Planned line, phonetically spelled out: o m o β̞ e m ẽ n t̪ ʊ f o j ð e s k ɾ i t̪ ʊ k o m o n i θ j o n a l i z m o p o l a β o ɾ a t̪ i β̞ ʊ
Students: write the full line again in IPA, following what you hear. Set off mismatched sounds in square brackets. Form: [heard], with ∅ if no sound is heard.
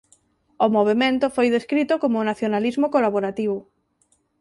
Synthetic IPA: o m o β̞ e m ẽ n t̪ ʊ f o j ð e s k ɾ i t̪ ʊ k o m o n [a] θ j o n a l i z m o [k] o l a β o ɾ a t̪ i β̞ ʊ